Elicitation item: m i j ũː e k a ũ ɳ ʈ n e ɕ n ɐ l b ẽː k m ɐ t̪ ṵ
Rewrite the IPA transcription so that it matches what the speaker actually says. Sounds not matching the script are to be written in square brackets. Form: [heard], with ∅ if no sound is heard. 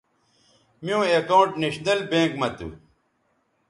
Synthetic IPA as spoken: m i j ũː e k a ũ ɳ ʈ n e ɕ n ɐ l b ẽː k m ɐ t̪ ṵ